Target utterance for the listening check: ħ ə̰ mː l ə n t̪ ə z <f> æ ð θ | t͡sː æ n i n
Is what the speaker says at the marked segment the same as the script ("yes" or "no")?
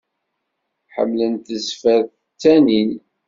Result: yes